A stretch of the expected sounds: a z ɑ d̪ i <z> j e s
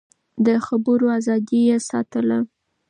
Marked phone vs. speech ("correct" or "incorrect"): incorrect